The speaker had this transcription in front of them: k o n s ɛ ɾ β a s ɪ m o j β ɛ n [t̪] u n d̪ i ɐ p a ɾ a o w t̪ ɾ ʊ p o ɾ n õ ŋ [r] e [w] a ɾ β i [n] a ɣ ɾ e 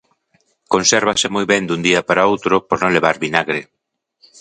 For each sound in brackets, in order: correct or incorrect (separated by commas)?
incorrect, incorrect, incorrect, correct